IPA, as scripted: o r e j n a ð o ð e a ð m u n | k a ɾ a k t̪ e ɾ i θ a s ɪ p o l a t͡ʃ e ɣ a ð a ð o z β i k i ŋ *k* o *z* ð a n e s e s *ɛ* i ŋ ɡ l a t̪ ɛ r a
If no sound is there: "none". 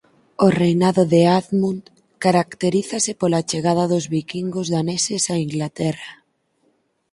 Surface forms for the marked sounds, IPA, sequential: ɡ, z, a

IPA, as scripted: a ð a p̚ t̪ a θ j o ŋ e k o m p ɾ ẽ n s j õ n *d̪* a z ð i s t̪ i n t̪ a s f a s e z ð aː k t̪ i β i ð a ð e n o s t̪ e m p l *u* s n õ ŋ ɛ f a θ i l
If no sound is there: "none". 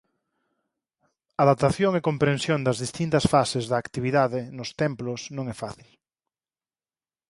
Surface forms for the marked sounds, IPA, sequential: d̪, o

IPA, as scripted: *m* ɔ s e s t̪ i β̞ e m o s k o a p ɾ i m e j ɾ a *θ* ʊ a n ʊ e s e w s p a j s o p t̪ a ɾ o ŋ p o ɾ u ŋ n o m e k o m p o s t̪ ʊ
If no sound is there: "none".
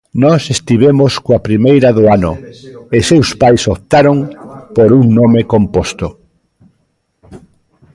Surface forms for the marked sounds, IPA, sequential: n, ð

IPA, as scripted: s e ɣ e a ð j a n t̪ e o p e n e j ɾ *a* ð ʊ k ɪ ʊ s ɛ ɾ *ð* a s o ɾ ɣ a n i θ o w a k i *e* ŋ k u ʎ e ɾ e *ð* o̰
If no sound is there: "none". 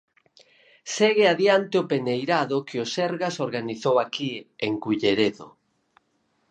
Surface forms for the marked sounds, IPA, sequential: a, ɣ, e, ð

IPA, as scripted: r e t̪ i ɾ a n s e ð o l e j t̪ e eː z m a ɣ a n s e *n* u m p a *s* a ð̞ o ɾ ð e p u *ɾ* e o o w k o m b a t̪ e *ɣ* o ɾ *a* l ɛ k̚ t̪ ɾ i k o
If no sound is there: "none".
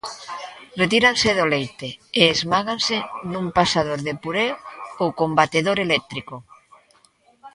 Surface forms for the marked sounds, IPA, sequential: n, s, ɾ, ð, e

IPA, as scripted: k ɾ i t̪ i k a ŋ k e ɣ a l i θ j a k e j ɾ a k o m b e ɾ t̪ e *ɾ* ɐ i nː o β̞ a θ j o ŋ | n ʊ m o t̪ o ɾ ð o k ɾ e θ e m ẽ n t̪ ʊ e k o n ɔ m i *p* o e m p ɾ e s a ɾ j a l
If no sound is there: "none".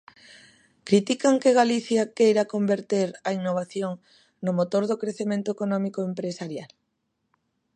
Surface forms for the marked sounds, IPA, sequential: ɾ, k

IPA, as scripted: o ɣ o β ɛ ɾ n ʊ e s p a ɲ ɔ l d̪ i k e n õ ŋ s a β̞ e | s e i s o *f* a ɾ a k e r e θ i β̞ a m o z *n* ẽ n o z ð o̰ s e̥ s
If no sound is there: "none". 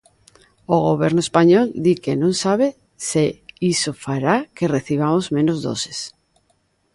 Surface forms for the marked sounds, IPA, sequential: f, m

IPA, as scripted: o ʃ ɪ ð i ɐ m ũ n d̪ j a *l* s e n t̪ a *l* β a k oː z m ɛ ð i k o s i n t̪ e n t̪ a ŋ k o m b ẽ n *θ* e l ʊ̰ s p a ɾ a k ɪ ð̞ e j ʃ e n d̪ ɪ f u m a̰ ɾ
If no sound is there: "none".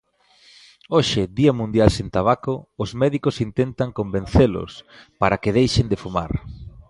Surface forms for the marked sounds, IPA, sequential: l, none, θ

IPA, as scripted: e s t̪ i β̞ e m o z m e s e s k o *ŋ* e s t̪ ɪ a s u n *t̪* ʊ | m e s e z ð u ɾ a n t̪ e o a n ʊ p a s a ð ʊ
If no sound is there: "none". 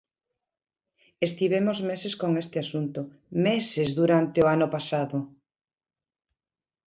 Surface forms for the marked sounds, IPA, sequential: ŋ, t̪

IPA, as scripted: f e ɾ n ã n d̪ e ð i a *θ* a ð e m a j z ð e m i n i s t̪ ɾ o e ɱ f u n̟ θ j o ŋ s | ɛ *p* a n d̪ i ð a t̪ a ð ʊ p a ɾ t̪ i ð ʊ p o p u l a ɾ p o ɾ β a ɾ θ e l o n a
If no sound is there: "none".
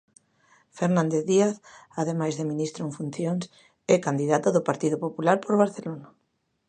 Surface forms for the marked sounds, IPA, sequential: θ, k

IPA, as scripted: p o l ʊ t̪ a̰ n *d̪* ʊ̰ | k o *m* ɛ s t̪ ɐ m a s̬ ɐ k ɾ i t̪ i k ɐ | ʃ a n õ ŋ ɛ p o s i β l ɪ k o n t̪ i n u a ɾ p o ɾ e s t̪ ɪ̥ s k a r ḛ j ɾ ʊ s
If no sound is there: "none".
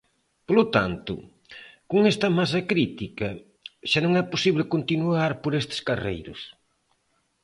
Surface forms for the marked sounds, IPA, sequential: t̪, ŋ

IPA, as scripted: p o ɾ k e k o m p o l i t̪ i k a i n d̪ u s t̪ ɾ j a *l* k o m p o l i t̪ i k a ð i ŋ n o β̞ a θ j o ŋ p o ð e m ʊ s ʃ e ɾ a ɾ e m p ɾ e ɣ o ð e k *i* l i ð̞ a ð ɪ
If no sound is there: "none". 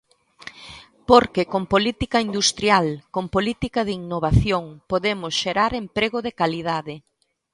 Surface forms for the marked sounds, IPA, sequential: l, a

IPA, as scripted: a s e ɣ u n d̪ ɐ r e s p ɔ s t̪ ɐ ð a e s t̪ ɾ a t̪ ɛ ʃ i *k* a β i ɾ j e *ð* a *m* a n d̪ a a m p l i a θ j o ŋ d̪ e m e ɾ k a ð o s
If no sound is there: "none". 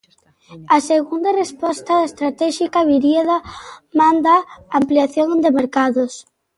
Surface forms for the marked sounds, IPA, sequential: k, ð, m

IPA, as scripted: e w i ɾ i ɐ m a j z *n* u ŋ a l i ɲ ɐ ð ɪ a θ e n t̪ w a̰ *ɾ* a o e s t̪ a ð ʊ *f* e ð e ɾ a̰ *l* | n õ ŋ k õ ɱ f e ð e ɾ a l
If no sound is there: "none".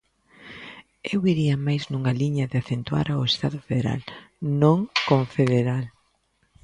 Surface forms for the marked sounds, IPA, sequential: n, ɾ, f, l

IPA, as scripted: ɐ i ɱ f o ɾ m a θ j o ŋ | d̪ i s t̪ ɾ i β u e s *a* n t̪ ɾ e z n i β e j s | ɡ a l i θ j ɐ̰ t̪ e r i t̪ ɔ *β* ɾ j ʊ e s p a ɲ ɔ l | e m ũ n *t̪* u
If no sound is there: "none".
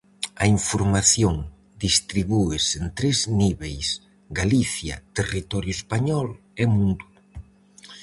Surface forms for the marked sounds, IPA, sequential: e, none, d̪

